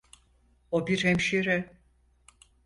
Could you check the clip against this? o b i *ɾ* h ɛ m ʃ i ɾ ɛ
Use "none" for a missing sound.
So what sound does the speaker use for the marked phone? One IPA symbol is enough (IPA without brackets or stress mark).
ɾ